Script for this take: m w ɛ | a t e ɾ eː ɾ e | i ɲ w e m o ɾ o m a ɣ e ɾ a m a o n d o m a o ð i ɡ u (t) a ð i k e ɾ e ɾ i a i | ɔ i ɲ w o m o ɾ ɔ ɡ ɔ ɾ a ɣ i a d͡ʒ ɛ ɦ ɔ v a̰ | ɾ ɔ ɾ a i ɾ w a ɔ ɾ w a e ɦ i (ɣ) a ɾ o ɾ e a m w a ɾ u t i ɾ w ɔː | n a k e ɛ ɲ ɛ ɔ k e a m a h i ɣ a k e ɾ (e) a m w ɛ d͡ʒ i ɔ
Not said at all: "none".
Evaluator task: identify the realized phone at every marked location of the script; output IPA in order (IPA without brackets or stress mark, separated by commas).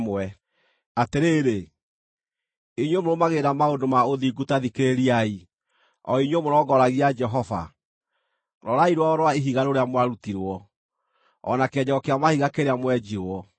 t, ɣ, e